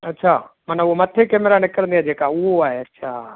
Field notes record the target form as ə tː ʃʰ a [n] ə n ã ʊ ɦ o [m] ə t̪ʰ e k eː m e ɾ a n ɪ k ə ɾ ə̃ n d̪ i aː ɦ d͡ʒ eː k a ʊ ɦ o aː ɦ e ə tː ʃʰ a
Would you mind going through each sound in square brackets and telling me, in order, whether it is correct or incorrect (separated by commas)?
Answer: incorrect, correct